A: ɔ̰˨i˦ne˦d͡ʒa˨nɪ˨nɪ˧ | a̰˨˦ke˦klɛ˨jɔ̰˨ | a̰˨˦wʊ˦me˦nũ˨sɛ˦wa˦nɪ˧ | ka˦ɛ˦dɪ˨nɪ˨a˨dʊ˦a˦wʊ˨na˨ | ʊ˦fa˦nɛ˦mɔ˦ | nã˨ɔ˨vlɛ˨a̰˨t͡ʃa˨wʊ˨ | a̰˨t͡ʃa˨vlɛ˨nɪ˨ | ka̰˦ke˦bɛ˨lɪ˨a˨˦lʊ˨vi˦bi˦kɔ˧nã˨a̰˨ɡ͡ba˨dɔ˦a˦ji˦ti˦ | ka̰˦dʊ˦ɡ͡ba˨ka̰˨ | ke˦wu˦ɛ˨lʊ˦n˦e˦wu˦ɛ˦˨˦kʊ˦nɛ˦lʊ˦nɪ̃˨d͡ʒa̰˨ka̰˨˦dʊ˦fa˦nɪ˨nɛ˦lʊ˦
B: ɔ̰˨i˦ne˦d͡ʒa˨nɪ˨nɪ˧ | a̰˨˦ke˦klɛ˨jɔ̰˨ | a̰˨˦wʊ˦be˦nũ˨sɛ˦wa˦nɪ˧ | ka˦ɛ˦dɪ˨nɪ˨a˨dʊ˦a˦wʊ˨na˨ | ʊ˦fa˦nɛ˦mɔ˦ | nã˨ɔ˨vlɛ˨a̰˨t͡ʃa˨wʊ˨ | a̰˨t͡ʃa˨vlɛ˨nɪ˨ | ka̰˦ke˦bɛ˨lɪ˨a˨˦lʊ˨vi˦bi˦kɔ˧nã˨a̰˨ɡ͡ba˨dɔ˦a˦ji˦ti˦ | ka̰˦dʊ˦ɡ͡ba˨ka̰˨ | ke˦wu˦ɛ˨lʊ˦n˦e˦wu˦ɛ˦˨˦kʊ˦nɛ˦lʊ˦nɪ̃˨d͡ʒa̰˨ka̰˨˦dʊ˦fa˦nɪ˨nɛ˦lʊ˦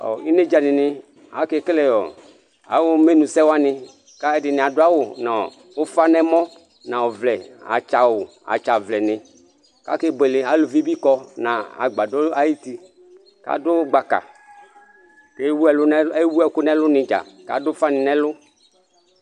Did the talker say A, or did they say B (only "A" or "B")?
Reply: A